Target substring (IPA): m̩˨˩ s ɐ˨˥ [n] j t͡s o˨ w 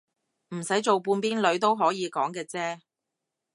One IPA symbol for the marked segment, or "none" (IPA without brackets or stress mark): none